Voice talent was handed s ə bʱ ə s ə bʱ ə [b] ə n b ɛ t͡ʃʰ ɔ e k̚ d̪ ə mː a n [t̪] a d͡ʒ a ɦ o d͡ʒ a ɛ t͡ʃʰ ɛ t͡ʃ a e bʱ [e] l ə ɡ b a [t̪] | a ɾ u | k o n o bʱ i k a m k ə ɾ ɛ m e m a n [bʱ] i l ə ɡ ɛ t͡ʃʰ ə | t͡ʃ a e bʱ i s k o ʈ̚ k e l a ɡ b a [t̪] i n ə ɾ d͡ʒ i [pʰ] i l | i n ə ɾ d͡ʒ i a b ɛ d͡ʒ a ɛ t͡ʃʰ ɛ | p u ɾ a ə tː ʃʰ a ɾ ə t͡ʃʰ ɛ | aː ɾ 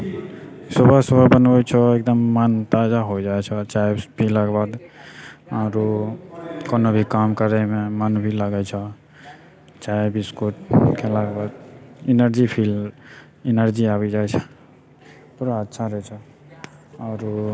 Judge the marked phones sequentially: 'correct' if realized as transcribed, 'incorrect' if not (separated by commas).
correct, correct, incorrect, incorrect, correct, incorrect, correct